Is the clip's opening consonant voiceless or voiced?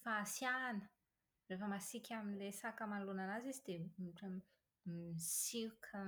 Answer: voiceless